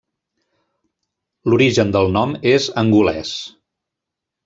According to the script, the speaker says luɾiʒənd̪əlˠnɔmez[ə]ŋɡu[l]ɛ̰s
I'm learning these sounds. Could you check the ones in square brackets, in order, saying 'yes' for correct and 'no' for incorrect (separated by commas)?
yes, yes